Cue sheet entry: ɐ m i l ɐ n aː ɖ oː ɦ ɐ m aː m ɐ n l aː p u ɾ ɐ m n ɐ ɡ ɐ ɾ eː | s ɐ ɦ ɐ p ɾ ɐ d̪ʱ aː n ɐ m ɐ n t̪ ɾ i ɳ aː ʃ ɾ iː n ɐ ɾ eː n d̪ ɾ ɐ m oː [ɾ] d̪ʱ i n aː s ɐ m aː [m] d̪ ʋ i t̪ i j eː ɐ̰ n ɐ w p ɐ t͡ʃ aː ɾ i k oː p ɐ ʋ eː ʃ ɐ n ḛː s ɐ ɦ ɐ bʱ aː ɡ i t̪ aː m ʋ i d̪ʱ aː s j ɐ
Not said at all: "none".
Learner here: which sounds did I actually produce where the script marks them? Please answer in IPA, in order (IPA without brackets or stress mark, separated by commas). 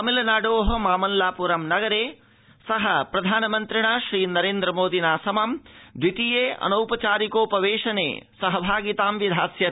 none, m